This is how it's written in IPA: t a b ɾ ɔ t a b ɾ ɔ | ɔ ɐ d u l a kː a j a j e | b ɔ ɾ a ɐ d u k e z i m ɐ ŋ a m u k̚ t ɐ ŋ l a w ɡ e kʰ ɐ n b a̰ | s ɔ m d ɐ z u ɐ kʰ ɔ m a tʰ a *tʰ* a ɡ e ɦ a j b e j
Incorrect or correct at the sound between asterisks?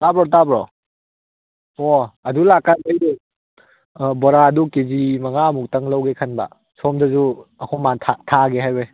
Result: correct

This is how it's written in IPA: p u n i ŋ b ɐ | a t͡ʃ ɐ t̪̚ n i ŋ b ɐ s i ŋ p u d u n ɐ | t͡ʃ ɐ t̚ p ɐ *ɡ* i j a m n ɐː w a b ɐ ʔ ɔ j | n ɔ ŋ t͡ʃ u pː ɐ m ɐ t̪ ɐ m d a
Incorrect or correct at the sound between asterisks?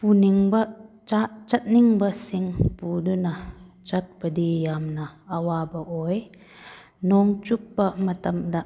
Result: incorrect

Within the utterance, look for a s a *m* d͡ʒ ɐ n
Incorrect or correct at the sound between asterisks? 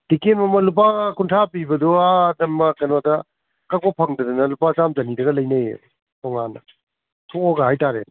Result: correct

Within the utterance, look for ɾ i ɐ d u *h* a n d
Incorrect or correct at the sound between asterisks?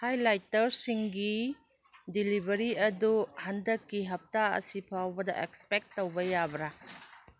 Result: correct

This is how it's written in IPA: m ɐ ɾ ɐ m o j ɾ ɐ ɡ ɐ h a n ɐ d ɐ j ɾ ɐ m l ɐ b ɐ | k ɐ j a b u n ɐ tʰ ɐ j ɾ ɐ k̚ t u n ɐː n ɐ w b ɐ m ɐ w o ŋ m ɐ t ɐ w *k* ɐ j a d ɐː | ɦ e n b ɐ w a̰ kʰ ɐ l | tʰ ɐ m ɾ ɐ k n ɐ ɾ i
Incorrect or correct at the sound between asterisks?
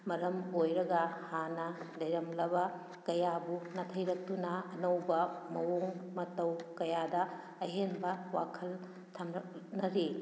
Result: correct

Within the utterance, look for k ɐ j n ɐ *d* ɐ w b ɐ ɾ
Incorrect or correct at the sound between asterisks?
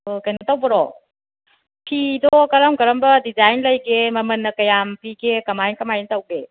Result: incorrect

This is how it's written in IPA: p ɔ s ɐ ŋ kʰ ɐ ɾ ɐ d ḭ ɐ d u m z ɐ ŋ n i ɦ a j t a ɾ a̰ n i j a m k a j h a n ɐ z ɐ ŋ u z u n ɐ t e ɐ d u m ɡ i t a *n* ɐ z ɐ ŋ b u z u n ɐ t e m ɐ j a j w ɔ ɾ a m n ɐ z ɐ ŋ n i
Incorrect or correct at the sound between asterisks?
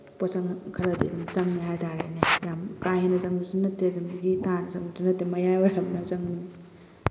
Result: correct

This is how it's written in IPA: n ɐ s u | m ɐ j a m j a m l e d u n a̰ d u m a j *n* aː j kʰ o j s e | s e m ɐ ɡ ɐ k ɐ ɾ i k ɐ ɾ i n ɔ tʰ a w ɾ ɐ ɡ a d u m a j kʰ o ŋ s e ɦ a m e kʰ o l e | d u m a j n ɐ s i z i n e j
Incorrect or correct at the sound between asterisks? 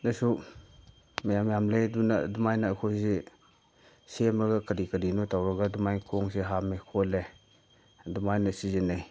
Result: correct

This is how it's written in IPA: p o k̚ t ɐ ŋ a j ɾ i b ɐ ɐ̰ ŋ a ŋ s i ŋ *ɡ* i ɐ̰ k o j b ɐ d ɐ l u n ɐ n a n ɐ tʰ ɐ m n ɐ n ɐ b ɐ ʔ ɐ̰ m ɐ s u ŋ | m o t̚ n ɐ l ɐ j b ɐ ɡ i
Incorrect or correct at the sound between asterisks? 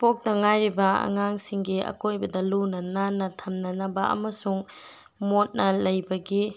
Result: correct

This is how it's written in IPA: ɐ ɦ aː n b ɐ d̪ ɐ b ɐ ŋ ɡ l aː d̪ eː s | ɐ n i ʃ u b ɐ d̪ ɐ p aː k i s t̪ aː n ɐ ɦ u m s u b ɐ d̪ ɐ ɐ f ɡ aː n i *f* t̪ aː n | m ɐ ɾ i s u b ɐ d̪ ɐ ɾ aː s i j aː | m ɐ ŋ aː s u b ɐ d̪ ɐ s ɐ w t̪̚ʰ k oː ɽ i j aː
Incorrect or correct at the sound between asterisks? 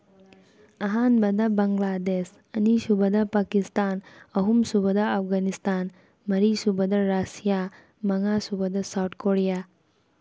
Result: incorrect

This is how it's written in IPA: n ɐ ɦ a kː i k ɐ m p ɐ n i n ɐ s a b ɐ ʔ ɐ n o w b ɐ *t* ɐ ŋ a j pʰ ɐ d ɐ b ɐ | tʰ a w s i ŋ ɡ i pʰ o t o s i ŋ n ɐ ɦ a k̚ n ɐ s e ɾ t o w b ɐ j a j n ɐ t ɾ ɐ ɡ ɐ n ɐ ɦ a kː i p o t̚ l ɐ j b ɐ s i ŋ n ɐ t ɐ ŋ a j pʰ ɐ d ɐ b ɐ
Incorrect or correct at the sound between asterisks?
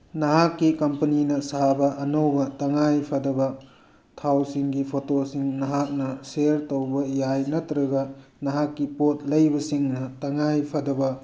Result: correct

